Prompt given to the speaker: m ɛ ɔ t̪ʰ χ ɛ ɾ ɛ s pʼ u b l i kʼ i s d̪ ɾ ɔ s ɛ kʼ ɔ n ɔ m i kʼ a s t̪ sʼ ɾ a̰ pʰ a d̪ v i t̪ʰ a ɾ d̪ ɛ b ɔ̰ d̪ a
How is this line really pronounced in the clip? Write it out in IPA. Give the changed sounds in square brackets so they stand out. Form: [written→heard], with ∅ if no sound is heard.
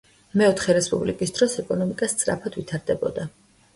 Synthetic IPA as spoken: m ɛ ɔ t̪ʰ χ ɛ ɾ ɛ s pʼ u b l i kʼ i s d̪ ɾ ɔ s ɛ kʼ ɔ n ɔ m i kʼ a s t̪ sʼ ɾ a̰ pʰ a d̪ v i t̪ʰ a ɾ d̪ ɛ b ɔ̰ d̪ a